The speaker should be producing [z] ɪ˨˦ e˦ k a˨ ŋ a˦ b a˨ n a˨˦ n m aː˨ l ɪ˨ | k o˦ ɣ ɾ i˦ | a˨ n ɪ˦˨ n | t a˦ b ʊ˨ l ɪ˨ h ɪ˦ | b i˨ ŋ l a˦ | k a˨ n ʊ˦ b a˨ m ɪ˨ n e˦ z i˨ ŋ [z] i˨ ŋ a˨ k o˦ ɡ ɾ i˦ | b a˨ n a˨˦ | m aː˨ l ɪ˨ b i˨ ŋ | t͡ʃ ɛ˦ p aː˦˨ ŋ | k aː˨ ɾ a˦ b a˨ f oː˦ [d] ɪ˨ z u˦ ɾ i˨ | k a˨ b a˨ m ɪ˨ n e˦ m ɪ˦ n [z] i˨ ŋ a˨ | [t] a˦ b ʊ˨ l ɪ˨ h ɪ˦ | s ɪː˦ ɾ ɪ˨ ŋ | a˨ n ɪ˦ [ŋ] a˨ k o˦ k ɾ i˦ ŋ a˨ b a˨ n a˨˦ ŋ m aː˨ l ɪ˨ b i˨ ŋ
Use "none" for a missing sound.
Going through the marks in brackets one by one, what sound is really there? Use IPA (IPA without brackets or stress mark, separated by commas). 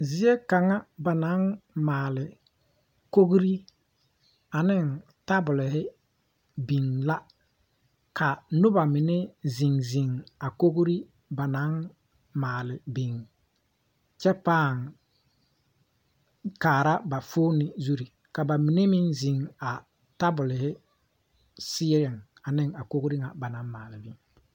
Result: z, z, n, z, t, ŋ